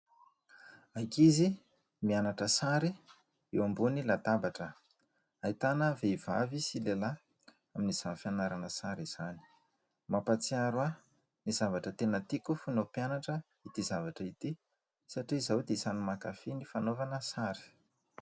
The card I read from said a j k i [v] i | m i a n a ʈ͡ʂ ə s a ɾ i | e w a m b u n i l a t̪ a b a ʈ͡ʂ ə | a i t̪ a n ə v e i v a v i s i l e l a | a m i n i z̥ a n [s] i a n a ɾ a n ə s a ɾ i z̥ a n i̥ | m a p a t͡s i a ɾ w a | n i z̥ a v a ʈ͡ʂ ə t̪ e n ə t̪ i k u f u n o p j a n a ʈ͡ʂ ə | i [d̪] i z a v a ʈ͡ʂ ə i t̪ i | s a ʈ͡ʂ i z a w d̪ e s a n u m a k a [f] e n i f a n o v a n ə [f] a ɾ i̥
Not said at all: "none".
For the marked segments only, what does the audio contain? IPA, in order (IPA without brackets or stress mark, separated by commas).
z, f, t̪, f, s